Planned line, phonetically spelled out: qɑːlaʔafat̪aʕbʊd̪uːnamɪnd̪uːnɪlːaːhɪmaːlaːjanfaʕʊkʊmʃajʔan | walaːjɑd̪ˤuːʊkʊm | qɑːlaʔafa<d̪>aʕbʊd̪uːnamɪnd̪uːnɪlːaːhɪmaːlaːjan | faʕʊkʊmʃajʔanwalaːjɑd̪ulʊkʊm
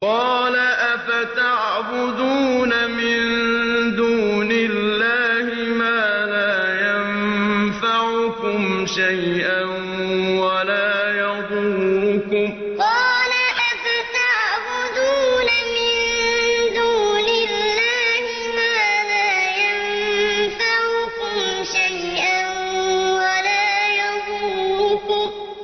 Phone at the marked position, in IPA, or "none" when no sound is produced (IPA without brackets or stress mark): t̪